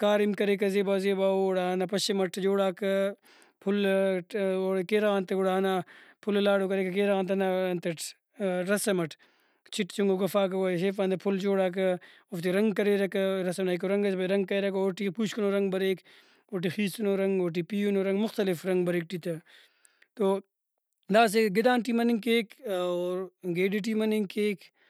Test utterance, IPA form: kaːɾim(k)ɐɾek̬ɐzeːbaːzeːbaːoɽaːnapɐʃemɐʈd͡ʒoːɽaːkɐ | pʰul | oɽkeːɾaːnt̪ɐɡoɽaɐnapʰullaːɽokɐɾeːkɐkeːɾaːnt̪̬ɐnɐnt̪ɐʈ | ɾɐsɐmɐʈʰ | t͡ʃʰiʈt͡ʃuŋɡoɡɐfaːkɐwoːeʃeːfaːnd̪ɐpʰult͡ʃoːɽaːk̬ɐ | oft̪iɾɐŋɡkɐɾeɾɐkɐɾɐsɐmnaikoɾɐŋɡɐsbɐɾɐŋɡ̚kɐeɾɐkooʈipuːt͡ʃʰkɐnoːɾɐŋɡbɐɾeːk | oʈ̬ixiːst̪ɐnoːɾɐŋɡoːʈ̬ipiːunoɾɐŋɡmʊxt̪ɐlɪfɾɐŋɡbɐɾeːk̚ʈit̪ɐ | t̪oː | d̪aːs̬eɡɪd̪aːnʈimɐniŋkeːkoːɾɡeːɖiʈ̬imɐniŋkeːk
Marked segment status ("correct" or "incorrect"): correct